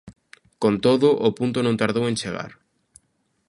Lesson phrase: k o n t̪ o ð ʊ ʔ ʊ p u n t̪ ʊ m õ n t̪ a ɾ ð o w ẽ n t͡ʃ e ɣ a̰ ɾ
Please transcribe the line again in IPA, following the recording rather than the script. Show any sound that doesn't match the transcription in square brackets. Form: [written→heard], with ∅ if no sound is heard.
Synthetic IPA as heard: k o n t̪ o ð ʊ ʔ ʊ p u n t̪ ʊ [m→n] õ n t̪ a ɾ ð o w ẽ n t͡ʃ e ɣ a̰ ɾ